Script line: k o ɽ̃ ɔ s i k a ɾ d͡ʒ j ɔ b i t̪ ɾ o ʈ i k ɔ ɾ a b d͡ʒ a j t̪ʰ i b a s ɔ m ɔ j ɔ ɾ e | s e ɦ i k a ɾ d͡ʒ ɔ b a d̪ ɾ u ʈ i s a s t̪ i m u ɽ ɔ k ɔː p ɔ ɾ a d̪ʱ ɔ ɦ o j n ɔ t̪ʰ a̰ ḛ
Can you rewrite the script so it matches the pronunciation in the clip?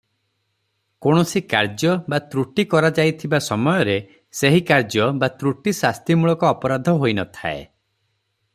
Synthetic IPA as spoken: k o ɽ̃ ɔ s i k a ɾ d͡ʒ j ɔ b a t̪ ɾ u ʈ i k ɔ ɾ a d͡ʒ a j t̪ʰ i b a s ɔ m ɔ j ɔ ɾ e | s e ɦ i k a ɾ d͡ʒ ɔ b a t̪ ɾ u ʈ i s a s t̪ i m u ɭ ɔ k ɔː p ɔ ɾ a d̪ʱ ɔ ɦ o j n ɔ t̪ʰ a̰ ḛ